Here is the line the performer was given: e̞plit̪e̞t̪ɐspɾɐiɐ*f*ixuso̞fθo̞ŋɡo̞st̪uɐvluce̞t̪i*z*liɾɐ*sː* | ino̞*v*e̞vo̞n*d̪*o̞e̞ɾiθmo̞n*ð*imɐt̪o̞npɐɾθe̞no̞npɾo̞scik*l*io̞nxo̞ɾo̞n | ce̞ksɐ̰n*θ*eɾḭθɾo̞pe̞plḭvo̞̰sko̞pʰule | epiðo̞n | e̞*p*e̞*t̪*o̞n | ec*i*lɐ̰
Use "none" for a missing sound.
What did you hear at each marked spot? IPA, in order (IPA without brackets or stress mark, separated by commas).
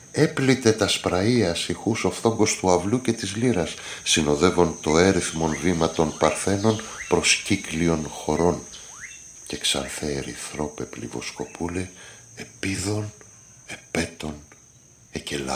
s, z, sː, ð, t̪, v, l, θ, p, t̪, e